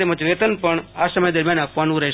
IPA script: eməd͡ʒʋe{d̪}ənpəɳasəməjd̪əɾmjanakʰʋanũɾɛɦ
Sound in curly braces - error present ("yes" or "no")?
yes